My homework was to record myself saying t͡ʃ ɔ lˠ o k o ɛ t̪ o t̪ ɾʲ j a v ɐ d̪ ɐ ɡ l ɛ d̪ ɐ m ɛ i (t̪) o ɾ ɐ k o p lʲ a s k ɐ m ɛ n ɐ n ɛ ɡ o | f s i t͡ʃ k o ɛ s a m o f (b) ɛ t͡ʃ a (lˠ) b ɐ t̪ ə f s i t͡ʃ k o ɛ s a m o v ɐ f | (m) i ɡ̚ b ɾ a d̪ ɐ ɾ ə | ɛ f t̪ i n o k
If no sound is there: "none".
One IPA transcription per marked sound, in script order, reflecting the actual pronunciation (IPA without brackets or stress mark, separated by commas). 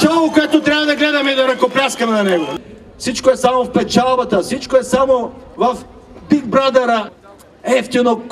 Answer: d̪, p, lˠ, b